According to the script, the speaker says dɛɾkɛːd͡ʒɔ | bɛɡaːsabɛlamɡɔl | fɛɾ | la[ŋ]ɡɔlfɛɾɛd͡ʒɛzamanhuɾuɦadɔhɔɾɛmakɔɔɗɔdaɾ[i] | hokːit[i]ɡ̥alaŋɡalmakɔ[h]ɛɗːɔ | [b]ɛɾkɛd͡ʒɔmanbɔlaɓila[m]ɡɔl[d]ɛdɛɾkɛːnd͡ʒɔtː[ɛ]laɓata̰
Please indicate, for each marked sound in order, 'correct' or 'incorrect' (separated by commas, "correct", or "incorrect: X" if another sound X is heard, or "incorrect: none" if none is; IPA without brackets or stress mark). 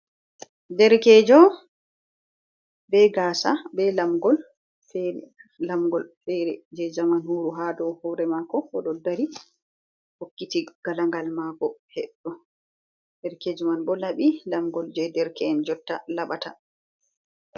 incorrect: m, correct, correct, correct, incorrect: d, correct, incorrect: d͡ʒ, incorrect: a